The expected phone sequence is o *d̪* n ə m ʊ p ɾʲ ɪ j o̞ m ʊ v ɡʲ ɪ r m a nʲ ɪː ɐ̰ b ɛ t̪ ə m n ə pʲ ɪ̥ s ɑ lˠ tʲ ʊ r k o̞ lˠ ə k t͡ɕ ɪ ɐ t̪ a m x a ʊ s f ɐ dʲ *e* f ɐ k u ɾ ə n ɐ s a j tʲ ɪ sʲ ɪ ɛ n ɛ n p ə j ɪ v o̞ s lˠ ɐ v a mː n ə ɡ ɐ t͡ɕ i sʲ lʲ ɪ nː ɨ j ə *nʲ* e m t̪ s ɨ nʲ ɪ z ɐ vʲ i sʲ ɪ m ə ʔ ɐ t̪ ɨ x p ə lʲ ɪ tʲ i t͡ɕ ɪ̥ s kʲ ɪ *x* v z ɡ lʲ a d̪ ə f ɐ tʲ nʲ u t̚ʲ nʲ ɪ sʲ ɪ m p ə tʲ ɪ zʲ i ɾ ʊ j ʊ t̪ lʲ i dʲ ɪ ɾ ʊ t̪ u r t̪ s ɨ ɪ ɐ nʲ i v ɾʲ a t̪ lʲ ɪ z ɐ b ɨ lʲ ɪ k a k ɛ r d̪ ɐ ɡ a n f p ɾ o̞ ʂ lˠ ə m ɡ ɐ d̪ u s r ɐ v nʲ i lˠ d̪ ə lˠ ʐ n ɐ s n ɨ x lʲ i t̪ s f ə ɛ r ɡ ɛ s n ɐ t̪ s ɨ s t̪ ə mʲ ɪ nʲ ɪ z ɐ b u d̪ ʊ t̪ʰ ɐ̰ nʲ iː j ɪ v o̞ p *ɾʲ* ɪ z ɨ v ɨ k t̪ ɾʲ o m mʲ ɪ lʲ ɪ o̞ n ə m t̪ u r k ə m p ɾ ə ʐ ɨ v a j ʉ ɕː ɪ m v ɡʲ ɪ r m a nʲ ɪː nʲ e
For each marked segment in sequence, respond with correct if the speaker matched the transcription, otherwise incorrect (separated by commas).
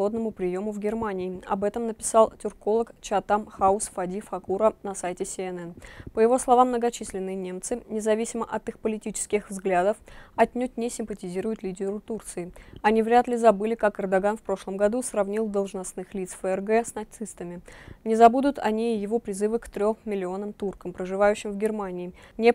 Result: correct, incorrect, correct, correct, correct